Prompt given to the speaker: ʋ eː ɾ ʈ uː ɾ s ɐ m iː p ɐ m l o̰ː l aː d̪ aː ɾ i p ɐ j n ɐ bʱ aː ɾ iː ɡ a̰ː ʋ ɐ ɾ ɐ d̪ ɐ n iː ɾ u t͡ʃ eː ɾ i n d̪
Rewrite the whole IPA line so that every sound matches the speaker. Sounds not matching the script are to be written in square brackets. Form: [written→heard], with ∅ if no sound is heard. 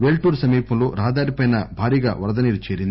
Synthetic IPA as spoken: ʋ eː [ɾ→l] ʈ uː ɾ s ɐ m iː p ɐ m l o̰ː [l→ɾ] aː d̪ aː ɾ i p ɐ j n ɐ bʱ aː ɾ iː ɡ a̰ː ʋ ɐ ɾ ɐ d̪ ɐ n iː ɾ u t͡ʃ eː ɾ i n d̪